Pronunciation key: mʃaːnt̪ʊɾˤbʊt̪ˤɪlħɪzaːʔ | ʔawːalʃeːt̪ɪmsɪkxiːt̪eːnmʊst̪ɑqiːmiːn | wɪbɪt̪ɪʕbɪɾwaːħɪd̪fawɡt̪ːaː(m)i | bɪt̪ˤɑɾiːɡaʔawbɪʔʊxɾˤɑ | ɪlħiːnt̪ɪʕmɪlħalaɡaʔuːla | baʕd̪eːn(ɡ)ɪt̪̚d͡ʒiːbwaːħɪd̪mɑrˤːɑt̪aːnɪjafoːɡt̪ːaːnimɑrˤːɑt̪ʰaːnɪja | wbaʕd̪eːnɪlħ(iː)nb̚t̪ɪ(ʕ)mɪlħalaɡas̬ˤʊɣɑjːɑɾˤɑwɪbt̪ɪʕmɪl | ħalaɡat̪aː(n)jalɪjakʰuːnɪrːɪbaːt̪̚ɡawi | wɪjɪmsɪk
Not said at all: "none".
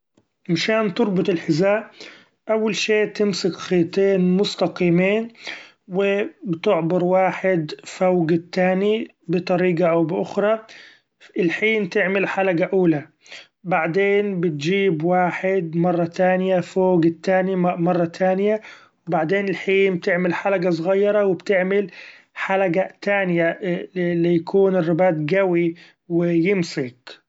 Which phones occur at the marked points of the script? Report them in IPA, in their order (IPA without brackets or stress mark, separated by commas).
n, b, iː, ʕ, n